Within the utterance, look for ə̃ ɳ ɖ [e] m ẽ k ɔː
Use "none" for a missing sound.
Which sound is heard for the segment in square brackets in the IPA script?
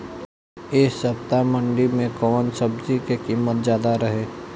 i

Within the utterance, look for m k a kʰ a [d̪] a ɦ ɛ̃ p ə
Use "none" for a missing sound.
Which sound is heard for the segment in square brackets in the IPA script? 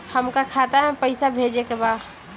t̪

